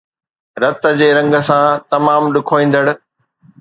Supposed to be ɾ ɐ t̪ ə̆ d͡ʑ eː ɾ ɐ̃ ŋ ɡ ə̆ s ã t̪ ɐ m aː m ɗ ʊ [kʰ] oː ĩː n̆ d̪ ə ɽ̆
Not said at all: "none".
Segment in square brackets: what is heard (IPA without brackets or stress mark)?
kʰ